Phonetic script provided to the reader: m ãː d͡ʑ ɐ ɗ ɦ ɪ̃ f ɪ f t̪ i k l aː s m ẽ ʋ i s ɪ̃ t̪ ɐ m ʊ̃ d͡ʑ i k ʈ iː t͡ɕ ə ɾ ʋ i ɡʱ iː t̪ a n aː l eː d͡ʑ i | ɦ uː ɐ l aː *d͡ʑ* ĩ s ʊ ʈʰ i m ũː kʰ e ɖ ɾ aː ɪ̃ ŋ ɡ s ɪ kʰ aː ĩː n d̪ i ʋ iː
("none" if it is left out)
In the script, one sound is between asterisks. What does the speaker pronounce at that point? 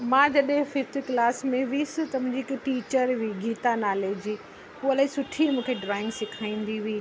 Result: none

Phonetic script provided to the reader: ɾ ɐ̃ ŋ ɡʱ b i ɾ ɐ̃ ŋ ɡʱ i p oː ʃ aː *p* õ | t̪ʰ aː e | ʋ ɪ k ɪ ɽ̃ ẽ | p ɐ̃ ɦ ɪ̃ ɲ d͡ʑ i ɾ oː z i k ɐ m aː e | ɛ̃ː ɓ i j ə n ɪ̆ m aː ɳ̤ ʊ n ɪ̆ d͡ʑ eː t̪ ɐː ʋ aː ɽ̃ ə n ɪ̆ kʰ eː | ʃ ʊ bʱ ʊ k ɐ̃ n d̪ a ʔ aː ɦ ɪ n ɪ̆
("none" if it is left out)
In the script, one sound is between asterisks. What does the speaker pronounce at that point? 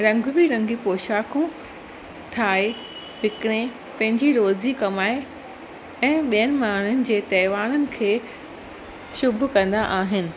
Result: k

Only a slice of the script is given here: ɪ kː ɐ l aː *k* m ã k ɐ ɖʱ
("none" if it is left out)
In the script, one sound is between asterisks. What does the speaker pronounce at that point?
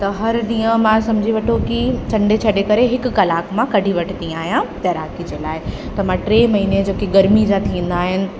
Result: k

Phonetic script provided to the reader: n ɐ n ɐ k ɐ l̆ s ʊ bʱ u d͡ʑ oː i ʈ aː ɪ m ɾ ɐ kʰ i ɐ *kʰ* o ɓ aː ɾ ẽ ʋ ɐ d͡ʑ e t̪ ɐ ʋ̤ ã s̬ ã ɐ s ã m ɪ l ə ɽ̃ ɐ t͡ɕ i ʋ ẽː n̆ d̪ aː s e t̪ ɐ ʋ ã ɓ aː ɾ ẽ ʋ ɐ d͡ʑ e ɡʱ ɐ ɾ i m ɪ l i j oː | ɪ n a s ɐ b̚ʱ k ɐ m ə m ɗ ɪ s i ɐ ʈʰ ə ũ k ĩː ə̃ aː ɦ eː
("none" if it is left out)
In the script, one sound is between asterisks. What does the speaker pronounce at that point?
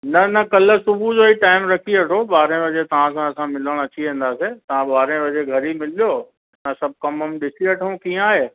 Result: ʈʰ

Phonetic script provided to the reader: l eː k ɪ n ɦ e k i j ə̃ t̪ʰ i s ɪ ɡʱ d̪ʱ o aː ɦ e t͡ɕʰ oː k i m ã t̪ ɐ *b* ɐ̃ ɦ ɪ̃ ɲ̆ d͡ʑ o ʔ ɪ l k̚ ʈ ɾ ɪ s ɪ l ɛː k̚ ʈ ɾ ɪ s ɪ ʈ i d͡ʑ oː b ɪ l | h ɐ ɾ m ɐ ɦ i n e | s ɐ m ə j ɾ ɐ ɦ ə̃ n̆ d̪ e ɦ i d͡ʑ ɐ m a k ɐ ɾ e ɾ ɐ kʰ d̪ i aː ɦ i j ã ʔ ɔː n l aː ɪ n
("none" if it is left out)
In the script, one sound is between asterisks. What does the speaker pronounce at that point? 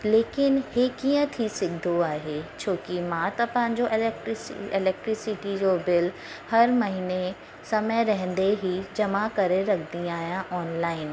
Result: p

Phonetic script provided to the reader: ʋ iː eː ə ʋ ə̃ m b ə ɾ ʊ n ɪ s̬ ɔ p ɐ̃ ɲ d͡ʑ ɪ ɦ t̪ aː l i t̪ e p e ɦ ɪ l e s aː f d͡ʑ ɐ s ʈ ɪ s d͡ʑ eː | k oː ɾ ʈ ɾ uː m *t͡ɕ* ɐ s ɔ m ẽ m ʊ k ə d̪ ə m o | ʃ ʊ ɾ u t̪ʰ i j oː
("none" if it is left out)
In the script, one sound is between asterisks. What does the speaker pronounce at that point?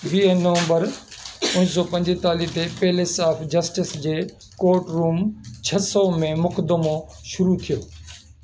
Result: t͡ɕʰ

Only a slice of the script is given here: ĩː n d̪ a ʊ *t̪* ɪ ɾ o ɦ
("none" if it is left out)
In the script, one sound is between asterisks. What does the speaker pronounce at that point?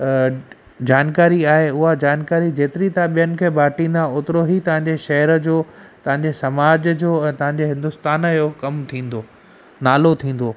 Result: t̪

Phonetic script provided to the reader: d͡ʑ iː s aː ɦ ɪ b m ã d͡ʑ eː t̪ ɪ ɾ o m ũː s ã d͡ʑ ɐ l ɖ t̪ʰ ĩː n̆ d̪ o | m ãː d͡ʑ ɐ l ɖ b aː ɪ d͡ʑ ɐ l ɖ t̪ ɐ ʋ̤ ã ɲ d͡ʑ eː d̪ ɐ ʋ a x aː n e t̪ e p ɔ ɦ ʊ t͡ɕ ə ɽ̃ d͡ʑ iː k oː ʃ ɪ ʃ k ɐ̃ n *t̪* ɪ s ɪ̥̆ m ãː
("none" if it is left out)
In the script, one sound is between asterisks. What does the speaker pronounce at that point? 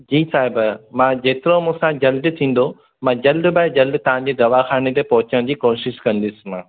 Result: d̪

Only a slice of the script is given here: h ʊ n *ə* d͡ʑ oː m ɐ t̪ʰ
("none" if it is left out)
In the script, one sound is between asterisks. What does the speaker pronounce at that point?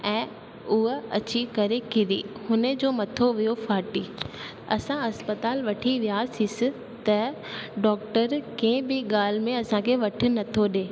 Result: ə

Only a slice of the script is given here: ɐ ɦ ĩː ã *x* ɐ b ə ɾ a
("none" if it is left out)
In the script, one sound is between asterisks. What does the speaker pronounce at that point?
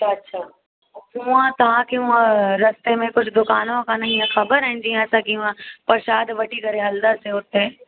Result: x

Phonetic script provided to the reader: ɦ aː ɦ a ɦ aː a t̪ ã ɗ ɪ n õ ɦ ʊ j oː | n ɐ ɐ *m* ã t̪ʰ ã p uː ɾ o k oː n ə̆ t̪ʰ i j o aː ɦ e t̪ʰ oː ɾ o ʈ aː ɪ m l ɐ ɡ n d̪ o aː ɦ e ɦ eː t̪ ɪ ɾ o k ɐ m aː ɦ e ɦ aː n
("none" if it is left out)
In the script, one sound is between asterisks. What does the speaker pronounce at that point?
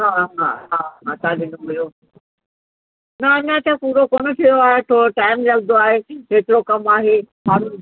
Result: ɲ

